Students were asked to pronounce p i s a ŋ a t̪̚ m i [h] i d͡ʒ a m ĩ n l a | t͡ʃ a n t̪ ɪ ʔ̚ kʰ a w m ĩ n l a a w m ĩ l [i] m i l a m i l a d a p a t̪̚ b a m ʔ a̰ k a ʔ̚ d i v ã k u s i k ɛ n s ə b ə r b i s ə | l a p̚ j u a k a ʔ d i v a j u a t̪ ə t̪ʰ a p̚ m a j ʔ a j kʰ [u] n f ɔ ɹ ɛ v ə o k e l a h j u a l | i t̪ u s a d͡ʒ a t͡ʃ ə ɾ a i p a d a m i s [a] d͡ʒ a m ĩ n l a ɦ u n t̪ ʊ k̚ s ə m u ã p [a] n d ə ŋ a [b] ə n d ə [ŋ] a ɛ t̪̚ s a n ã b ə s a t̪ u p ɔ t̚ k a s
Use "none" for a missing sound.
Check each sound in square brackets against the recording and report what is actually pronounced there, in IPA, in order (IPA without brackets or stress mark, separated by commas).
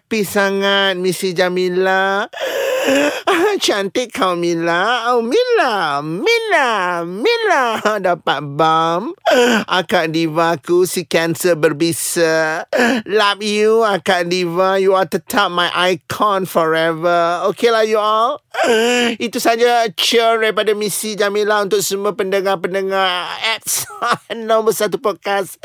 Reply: s, a, ɔ, i, ə, p, ŋ